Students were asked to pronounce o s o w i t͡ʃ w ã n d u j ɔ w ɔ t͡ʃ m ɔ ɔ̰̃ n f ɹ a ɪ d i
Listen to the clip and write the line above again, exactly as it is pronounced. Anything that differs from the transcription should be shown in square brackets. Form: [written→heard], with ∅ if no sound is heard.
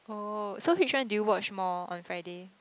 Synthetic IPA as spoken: o s o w i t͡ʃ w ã n d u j [ɔ→u] w ɔ t͡ʃ m ɔ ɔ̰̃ n f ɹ a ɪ d [i→e]